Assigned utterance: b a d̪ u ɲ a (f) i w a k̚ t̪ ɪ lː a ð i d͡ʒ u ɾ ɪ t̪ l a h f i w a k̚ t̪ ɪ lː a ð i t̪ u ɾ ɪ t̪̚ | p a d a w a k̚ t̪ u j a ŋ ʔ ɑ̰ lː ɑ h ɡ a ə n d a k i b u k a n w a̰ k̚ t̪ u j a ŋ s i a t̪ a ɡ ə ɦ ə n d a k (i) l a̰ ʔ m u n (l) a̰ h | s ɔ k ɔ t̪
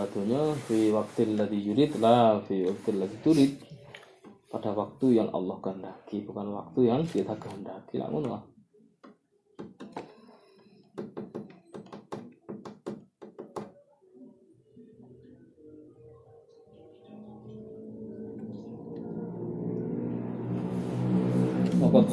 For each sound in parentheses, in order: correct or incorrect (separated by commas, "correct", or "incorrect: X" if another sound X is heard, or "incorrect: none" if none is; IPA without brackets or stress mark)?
correct, correct, correct